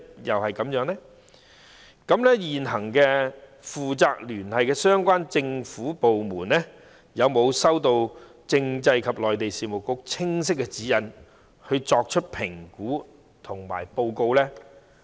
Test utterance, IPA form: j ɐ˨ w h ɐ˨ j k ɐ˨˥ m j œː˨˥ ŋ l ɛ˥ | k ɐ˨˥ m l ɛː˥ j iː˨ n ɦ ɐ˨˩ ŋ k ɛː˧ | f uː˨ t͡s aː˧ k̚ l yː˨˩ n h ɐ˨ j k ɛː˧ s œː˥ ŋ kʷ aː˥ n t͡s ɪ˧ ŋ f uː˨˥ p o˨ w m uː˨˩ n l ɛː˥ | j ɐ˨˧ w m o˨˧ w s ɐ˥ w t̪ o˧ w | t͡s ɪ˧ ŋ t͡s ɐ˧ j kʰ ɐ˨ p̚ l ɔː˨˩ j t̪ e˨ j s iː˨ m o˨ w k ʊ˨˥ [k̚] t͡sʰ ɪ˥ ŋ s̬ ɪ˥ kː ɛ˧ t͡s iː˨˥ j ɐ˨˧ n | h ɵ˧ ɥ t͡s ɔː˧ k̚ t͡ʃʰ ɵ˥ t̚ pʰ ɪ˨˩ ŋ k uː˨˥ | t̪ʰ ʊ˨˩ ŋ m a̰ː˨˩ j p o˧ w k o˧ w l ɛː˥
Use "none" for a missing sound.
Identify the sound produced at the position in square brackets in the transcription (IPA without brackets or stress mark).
k̚